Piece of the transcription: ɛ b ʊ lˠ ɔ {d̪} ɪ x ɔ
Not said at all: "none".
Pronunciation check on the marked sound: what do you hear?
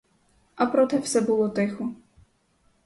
t̪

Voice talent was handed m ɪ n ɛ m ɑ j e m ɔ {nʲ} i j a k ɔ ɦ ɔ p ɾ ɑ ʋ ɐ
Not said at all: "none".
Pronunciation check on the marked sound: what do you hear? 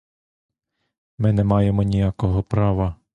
nʲ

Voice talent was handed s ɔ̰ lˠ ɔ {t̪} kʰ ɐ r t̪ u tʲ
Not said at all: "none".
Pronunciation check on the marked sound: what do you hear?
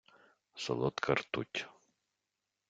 t̪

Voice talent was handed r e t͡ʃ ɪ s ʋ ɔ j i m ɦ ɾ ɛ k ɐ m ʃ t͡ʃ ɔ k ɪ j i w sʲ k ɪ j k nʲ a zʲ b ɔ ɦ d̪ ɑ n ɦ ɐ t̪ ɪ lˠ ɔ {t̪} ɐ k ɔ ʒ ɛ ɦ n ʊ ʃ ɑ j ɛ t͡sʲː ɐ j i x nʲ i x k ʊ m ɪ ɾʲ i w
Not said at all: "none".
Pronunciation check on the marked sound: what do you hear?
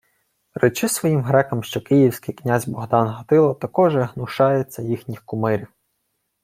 t̪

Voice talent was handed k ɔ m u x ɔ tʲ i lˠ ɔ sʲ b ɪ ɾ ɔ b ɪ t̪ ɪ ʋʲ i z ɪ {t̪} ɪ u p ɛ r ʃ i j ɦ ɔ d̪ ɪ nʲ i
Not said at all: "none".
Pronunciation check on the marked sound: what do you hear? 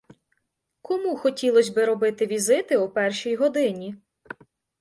t̪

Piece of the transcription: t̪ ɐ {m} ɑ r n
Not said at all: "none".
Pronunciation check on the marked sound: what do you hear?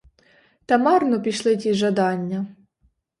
m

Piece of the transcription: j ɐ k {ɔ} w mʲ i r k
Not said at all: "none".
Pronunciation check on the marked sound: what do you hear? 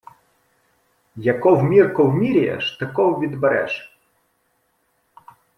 ɔ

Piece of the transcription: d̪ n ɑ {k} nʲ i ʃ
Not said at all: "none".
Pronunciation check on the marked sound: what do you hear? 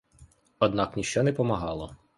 k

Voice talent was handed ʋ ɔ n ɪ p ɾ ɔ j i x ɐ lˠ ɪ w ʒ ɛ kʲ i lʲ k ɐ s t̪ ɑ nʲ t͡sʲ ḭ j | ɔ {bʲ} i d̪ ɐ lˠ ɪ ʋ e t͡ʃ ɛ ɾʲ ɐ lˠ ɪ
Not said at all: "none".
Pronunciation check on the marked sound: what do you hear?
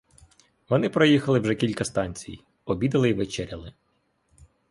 bʲ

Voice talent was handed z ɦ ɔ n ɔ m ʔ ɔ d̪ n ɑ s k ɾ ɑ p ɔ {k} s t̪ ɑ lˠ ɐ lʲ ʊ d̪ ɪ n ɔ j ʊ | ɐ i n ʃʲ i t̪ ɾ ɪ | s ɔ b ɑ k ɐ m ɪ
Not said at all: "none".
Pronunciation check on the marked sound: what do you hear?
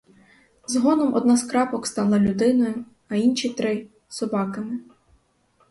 k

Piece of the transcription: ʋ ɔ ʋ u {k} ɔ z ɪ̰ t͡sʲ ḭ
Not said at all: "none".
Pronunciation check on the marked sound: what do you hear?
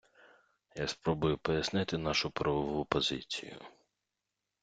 p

